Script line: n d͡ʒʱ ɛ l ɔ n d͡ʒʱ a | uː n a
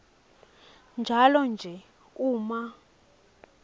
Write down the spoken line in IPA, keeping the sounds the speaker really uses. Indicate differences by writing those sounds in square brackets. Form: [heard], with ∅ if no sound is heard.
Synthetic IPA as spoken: n d͡ʒʱ [a] l ɔ n d͡ʒʱ [ɛ] | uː [m] a